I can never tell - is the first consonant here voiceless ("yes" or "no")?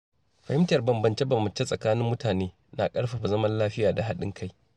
yes